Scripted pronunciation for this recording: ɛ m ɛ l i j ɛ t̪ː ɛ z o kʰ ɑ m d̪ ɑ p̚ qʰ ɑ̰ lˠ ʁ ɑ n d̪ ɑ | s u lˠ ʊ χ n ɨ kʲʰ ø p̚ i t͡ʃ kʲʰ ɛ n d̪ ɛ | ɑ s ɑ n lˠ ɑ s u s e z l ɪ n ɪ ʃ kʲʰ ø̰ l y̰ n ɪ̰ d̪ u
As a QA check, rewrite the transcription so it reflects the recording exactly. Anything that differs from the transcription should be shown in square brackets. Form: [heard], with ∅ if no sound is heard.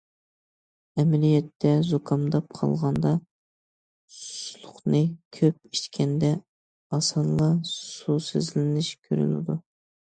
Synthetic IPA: ɛ m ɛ l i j ɛ t̪ː ɛ z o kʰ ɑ m d̪ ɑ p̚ qʰ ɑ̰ lˠ ʁ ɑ n d̪ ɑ | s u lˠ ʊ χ n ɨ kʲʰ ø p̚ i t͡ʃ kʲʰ ɛ n d̪ ɛ | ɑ s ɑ n lˠ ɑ s u s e z l ɪ n ɪ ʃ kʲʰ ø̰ [ɾ] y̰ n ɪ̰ d̪ u